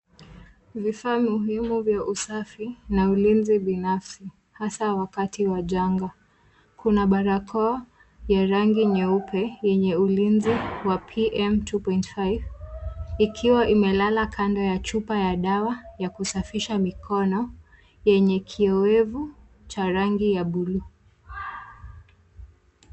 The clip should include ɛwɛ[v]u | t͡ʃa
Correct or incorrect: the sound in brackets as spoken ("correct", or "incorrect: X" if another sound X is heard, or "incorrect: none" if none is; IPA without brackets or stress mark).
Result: correct